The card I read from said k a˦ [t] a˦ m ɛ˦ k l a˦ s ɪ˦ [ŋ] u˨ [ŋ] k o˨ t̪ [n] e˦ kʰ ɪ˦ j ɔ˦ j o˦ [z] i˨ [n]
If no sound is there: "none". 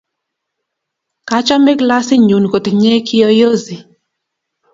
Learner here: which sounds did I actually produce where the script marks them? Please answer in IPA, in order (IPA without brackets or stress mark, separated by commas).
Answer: t͡ʃ, ɲ, n, ɲ, z, none